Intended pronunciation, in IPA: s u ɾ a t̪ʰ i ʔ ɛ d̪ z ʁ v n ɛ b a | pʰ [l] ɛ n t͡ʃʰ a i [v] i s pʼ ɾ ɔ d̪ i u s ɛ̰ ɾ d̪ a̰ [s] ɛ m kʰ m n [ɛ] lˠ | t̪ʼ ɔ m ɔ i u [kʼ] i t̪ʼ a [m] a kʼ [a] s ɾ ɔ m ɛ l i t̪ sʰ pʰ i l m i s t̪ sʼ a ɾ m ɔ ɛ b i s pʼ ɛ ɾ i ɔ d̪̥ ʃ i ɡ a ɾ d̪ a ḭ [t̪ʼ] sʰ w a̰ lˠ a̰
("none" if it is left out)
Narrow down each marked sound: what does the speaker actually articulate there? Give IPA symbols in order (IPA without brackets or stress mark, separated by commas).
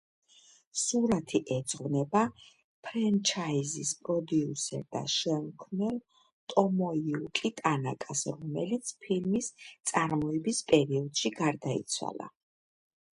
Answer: ɾ, z, ʃ, ɛ, kʼ, n, a, t̪